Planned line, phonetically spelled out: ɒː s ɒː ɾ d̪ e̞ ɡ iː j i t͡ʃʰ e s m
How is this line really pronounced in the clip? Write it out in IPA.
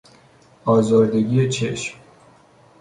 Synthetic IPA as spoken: ɒː z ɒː ɾ d̪ e̞ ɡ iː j e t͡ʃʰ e ʃ m

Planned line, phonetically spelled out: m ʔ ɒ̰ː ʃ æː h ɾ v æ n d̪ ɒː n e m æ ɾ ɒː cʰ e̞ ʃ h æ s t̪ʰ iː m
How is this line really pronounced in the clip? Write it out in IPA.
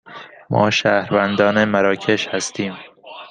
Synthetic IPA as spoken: m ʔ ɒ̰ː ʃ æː h ɾ v æ n d̪ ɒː n e m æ ɾ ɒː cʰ e̞ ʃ h æ s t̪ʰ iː m

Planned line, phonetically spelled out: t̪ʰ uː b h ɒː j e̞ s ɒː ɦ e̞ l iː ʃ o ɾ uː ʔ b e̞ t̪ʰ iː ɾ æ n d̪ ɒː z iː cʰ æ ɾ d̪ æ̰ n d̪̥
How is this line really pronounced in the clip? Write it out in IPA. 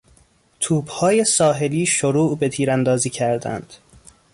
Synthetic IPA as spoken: t̪ʰ uː b h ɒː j e̞ s ɒː ɦ e̞ l iː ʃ o ɾ uː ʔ b e̞ t̪ʰ iː ɾ æ n d̪ ɒː z iː cʰ æ ɾ d̪ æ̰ n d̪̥

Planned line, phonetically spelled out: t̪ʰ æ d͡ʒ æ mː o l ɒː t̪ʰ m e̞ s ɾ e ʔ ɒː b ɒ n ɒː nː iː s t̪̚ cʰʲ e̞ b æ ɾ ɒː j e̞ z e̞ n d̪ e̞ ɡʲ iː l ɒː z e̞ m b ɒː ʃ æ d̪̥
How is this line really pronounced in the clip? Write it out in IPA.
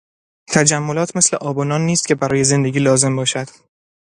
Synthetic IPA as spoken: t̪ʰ æ d͡ʒ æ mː o l ɒː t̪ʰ m e̞ s l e ʔ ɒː b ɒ n ɒː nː iː s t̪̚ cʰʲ e̞ b æ ɾ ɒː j e̞ z e̞ n d̪ e̞ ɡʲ iː l ɒː z e̞ m b ɒː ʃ æ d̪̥

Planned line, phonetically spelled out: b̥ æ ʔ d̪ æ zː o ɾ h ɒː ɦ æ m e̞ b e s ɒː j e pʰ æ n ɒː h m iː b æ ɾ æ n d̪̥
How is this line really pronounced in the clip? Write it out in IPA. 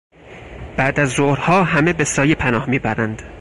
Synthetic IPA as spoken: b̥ æ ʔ d̪ æ zː o ɾ h ɒː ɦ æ m e̞ b e s ɒː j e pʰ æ n ɒː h m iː b æ ɾ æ n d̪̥

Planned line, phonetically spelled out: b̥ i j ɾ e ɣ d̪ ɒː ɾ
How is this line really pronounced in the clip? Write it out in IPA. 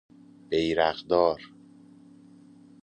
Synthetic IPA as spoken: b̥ e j ɾ æ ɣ d̪ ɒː ɾ

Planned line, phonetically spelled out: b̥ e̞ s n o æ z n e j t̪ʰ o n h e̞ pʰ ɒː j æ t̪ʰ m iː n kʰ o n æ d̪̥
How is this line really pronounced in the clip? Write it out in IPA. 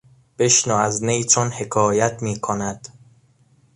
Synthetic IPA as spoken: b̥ e̞ ʃ n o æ z n e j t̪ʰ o n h e̞ kʰ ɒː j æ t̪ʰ m iː kʰ o n æ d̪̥

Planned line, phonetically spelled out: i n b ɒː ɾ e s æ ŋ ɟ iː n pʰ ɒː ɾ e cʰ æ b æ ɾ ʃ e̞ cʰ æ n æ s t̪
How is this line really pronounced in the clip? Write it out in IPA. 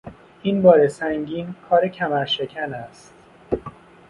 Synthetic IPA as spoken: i n b ɒː ɾ e s æ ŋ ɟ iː n kʰ ɒː ɾ e cʰ æ m æ ɾ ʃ e̞ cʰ æ n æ s t̪

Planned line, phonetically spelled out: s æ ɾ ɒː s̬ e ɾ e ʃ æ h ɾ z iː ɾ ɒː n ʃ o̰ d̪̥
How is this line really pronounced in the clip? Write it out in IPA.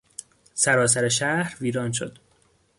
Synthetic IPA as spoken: s æ ɾ ɒː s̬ æ ɾ e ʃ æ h ɾ v iː ɾ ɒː n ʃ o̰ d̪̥

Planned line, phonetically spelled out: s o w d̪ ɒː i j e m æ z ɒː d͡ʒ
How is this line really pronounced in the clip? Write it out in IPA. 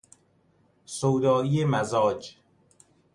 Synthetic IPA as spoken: s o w d̪ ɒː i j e m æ z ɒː d͡ʒ

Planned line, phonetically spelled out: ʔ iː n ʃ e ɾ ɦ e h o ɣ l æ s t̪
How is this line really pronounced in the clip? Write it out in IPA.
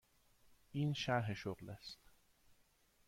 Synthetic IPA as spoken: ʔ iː n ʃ æ ɾ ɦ e ʃ o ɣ l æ s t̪

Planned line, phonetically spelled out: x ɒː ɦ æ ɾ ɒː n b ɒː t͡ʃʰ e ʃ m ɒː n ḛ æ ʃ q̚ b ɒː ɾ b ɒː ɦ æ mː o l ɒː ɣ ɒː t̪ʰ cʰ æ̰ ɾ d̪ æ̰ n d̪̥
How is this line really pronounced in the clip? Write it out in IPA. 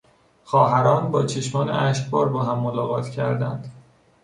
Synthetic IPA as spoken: x ɒː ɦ æ ɾ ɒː n b ɒː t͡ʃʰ e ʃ m ɒː n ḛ æ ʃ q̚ b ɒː ɾ b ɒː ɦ æ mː o l ɒː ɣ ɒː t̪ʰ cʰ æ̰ ɾ d̪ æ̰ n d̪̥

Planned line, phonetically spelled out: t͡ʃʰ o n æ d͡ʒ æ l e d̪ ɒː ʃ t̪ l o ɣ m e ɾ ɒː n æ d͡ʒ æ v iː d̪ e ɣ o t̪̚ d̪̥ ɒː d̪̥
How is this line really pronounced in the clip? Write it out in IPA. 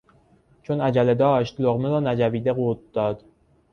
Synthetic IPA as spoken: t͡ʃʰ o n æ d͡ʒ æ l e d̪ ɒː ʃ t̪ l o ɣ m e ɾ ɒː n æ d͡ʒ æ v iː d̪ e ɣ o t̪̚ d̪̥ ɒː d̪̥

